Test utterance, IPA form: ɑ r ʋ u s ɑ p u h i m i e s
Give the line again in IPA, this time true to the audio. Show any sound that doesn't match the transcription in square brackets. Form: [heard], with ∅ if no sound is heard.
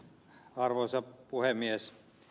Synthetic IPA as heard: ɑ r ʋ [o] s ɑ p u h [e] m i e s